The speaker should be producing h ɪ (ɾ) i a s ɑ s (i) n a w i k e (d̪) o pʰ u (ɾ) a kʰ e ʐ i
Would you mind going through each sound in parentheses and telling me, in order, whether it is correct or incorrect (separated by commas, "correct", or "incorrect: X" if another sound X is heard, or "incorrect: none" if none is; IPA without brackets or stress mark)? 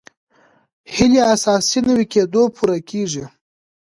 incorrect: l, correct, correct, correct